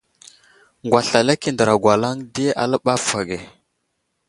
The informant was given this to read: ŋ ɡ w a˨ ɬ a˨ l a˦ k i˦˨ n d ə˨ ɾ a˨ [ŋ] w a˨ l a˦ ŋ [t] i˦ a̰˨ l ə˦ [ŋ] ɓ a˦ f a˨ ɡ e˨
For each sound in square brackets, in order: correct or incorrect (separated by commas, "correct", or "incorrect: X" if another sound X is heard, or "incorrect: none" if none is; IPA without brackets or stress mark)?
incorrect: ɡ, incorrect: d, incorrect: none